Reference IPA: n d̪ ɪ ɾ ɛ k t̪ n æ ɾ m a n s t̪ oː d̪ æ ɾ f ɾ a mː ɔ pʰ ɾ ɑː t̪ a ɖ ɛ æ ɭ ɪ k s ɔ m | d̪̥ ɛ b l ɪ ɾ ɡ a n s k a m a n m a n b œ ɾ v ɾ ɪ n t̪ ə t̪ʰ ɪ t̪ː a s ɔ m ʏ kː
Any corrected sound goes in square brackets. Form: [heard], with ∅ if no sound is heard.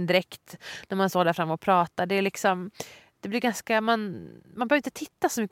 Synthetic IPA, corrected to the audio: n d̪ ɪ ɾ ɛ k t̪ n æ ɾ m a n s t̪ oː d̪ æ ɾ f ɾ a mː ɔ pʰ ɾ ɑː t̪ a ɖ ɛ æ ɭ ɪ k s ɔ m | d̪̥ ɛ b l ɪ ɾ ɡ a n s k a m a n m a n b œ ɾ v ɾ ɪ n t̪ ə t̪ʰ ɪ t̪ː a s ɔ m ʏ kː